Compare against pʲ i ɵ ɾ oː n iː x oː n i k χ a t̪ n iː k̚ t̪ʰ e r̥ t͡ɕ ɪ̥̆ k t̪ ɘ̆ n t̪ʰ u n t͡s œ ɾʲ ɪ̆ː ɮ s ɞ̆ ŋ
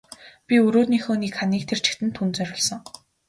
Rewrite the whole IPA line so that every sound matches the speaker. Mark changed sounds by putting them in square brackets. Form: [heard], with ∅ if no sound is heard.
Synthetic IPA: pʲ i ɵ ɾ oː n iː x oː n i k χ a [∅] n iː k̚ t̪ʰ e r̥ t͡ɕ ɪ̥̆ k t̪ ɘ̆ n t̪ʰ u n t͡s œ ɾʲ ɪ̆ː ɮ s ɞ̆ ŋ